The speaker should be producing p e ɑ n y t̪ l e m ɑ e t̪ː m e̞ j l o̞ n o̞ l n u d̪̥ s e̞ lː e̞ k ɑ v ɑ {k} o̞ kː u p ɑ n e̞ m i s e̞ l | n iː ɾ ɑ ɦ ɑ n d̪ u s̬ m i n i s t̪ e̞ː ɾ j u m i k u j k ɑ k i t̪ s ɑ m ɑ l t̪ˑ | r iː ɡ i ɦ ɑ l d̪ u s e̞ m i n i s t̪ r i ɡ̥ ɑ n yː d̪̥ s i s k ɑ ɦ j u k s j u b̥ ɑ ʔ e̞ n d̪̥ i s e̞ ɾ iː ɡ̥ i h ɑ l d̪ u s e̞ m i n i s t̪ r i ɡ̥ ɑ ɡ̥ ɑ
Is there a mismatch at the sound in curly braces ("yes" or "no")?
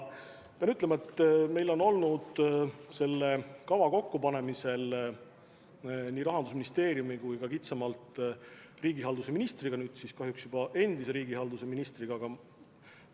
no